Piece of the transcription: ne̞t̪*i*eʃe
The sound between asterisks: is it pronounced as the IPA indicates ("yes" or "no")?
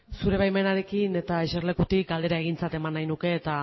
no